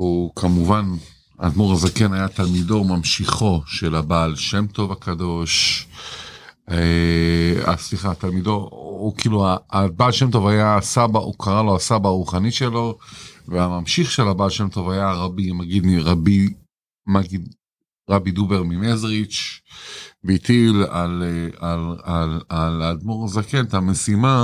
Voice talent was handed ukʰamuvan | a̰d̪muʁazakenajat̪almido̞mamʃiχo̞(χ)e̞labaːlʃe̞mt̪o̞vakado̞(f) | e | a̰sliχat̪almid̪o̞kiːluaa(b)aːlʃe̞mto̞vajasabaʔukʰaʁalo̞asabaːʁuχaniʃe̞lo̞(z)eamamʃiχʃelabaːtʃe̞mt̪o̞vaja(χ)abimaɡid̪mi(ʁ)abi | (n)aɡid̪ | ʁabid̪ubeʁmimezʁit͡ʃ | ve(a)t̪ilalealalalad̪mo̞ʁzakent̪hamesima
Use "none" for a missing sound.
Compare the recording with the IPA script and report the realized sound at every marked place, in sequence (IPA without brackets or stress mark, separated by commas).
ʃ, ʃ, b, v, ʁ, ʁ, m, i